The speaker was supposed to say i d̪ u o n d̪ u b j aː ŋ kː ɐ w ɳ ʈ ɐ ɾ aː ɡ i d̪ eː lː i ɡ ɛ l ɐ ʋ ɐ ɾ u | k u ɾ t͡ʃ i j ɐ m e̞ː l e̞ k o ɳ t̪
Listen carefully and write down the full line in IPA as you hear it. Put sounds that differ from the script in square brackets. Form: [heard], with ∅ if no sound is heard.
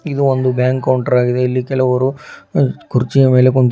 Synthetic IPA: i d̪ u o n d̪ u b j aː ŋ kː ɐ w ɳ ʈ ɐ ɾ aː ɡ i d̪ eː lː i [k] ɛ l ɐ ʋ ɐ ɾ u | k u ɾ t͡ʃ i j ɐ m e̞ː l e̞ k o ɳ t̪